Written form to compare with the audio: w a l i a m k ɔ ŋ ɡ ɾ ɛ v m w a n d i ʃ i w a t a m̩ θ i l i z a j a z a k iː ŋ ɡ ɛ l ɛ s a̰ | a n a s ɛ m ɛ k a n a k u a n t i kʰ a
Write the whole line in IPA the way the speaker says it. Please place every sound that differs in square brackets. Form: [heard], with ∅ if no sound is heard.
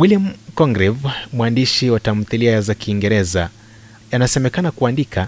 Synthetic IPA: w [i] l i a m k ɔ ŋ ɡ ɾ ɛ v m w a n d i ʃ i w a t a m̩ θ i l i [∅] a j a z a k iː ŋ ɡ ɛ [ɾ] ɛ [z] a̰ | a n a s ɛ m ɛ k a n a k u a n [d] i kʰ a